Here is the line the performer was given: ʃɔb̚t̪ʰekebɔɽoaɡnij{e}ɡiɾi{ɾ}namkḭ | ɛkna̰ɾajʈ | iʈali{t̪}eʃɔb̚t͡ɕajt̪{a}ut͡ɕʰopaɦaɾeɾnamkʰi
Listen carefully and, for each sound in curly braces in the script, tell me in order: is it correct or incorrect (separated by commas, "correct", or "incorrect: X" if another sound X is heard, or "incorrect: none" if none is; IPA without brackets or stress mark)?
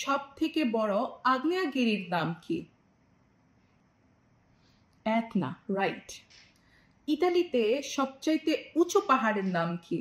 incorrect: a, correct, correct, incorrect: e